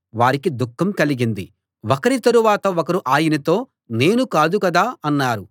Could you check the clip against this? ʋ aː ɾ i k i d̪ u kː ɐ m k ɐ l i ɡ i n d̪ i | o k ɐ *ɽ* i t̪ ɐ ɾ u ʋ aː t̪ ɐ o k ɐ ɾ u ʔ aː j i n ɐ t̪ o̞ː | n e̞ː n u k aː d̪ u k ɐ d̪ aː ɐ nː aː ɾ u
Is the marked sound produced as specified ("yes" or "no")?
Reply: no